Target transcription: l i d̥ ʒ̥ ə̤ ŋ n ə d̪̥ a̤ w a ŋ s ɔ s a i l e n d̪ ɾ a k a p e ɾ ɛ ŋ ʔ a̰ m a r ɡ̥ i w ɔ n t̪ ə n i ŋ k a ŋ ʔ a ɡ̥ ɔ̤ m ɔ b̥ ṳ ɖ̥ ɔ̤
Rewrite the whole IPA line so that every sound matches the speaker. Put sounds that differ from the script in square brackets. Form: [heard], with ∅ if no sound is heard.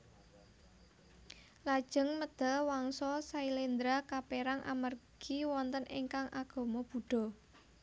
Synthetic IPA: l [a] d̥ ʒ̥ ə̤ ŋ [m] ə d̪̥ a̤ w a ŋ s ɔ s a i l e n d̪ ɾ a k a p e ɾ [a] ŋ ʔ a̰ m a r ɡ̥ i w ɔ n t̪ ə n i ŋ k a ŋ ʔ a ɡ̥ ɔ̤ m ɔ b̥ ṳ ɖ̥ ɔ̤